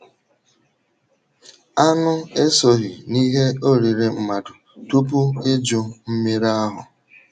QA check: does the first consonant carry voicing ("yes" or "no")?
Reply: yes